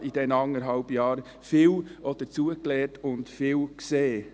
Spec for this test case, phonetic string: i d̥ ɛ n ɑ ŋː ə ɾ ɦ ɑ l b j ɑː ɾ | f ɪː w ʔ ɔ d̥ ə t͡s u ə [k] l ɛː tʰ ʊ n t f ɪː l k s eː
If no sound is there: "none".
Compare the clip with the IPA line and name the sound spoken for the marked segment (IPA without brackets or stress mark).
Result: k